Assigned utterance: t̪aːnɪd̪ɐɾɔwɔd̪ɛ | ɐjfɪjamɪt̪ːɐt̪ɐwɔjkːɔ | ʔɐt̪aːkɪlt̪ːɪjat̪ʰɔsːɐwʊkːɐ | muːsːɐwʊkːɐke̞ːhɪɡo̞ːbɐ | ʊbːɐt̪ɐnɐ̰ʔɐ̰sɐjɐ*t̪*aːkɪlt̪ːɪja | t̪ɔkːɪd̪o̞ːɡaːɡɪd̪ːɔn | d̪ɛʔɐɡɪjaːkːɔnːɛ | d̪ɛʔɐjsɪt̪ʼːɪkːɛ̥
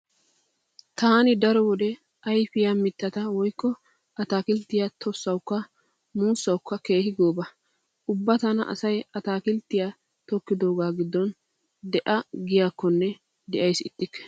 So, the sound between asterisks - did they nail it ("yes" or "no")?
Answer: yes